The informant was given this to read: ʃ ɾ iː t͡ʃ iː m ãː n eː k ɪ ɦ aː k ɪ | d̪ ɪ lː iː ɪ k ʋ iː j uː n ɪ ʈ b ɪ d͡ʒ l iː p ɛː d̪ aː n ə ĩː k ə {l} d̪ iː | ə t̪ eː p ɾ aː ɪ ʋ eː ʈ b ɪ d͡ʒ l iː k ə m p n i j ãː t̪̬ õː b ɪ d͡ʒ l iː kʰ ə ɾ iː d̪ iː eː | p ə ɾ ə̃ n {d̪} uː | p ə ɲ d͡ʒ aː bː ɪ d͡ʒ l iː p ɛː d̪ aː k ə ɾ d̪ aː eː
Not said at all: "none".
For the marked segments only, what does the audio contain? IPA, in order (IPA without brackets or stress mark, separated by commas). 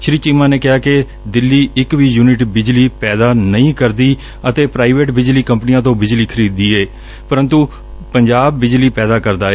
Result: ɾ, t̪